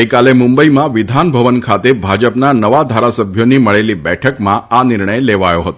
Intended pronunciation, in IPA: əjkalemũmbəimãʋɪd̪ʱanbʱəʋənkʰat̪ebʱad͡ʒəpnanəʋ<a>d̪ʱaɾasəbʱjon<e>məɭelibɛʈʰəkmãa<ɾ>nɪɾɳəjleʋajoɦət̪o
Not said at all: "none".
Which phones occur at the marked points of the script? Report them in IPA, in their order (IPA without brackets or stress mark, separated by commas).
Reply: a, i, none